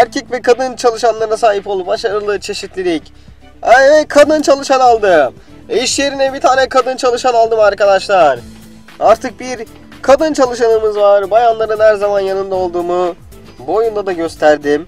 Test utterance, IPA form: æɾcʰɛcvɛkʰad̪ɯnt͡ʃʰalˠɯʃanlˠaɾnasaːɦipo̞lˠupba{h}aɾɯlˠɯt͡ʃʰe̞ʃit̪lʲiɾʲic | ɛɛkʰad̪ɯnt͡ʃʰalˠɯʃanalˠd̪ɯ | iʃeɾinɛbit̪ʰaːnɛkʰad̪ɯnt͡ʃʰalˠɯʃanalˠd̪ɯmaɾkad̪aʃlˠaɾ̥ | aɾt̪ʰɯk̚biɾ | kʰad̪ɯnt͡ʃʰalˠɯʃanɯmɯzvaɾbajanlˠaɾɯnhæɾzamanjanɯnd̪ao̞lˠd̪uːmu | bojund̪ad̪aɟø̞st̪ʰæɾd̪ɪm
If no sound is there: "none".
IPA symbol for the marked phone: ʃ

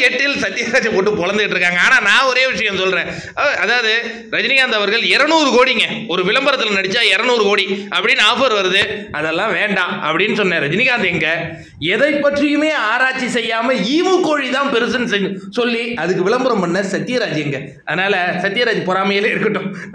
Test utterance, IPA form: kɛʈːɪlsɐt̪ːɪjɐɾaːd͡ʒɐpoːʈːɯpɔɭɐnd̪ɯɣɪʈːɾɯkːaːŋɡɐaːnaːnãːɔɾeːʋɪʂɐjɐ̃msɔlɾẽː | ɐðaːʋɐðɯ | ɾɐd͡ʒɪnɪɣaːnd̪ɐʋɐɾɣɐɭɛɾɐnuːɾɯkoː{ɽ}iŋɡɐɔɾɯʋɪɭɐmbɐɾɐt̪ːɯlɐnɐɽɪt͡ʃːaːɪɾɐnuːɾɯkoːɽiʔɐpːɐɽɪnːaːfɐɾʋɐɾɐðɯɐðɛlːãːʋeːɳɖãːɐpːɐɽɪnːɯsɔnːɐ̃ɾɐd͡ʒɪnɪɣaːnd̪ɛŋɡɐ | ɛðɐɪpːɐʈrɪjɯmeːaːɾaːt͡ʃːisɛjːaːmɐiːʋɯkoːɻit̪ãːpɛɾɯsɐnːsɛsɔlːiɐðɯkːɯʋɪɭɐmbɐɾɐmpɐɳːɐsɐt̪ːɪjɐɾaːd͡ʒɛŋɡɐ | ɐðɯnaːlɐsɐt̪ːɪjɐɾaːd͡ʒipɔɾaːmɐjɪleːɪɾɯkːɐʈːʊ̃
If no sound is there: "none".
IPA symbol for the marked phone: ɽ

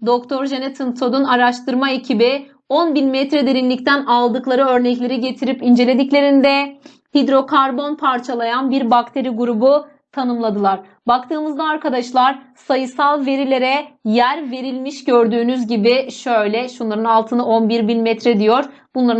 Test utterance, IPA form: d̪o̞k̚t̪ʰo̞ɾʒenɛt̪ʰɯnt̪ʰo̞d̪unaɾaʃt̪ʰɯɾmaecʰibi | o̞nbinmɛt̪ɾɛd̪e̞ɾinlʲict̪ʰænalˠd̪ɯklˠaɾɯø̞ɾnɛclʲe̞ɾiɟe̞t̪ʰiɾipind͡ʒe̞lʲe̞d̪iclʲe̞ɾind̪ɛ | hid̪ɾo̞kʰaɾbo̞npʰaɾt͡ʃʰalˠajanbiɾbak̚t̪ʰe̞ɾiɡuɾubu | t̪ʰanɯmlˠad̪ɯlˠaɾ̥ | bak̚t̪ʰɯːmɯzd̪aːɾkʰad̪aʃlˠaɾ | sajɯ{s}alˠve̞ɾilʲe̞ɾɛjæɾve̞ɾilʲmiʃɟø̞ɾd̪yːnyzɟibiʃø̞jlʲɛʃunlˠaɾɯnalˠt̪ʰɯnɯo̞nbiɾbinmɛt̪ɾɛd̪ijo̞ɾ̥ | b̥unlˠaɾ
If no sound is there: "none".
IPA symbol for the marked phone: s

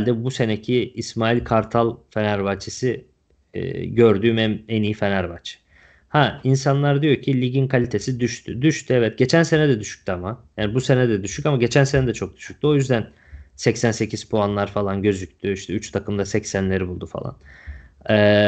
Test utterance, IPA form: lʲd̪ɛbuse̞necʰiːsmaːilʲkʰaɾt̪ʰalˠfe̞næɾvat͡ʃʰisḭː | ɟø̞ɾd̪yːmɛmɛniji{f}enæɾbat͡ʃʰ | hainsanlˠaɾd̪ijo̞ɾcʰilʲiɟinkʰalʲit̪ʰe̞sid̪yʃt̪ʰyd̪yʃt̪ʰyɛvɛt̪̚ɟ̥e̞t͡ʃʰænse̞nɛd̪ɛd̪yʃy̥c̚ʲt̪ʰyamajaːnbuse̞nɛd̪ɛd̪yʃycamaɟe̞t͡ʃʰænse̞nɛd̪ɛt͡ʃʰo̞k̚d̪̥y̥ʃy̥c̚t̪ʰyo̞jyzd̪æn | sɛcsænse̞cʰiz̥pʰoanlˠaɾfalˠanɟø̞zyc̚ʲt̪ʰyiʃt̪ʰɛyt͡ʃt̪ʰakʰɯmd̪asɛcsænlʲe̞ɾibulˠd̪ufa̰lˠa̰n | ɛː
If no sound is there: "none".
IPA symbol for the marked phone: f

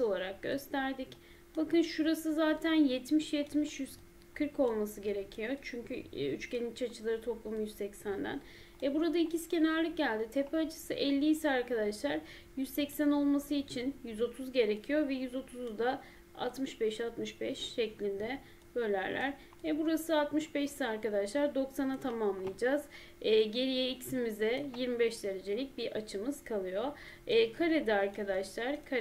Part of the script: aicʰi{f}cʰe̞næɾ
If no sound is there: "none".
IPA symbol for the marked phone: s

